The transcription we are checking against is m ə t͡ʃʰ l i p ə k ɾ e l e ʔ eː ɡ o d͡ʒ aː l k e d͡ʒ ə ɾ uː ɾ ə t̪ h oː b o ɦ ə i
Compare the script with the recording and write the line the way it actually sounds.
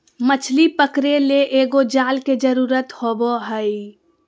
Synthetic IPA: m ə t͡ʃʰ l i p ə k ɾ e l e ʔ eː ɡ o d͡ʒ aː l k e d͡ʒ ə ɾ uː ɾ ə t̪ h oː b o ɦ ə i